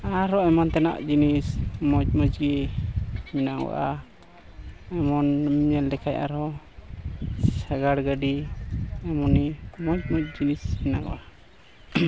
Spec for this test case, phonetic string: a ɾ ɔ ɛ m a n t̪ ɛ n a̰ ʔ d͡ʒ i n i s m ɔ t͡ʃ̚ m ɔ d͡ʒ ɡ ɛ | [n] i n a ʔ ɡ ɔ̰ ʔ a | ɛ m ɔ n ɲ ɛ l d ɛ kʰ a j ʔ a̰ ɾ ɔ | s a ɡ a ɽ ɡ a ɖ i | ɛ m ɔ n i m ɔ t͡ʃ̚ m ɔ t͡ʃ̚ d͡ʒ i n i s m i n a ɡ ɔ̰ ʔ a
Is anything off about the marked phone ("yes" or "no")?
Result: yes